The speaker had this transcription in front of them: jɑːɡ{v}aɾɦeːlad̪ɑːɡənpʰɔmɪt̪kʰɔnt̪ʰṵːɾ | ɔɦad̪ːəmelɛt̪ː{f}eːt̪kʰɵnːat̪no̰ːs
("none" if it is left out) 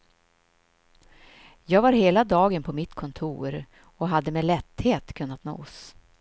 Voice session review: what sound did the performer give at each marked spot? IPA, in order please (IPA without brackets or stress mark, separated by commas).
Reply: v, h